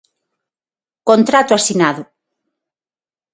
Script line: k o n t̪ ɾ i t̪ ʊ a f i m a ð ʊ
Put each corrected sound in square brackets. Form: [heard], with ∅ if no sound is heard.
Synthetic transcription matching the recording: k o n t̪ ɾ [a] t̪ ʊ a [s] i [n] a ð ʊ